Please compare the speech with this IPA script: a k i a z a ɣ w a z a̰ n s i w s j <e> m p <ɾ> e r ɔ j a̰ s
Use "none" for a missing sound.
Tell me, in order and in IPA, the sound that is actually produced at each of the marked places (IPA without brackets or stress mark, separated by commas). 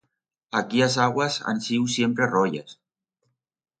e, ɾ